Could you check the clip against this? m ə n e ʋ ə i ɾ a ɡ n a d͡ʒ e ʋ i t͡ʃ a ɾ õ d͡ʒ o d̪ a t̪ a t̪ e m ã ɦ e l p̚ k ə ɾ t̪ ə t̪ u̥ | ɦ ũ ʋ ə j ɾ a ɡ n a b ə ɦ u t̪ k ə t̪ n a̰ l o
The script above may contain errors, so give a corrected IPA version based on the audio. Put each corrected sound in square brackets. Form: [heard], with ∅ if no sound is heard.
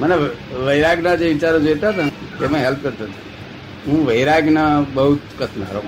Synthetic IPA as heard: m ə n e ʋ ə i ɾ a ɡ n a d͡ʒ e ʋ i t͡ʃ a ɾ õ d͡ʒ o [t̪] a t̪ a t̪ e m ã ɦ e l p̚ k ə ɾ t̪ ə t̪ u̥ | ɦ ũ ʋ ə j ɾ a ɡ n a b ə ɦ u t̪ k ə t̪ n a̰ [ɾ] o